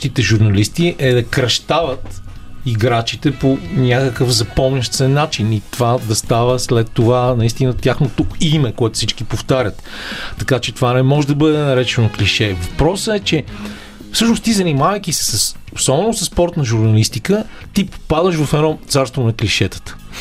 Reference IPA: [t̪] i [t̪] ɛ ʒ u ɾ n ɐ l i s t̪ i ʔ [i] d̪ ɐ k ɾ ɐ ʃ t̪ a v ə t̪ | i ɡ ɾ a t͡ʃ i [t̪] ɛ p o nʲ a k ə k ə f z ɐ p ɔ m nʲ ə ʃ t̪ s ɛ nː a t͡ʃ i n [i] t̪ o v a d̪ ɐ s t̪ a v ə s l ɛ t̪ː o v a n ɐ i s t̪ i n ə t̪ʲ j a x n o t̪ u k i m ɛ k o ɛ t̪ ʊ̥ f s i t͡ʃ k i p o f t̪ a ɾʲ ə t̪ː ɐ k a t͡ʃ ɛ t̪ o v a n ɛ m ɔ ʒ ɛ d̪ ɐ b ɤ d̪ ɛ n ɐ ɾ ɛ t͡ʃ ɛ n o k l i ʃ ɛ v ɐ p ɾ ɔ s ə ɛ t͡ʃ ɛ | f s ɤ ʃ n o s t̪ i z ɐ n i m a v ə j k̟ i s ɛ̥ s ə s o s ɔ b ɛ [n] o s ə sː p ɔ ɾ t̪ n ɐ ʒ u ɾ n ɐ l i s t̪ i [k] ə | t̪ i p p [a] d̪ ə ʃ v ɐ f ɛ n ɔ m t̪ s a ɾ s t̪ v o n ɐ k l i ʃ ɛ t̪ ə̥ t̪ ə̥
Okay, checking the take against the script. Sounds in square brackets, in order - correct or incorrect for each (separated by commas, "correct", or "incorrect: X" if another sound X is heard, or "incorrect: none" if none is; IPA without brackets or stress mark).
correct, correct, incorrect: ɛ, correct, correct, correct, correct, correct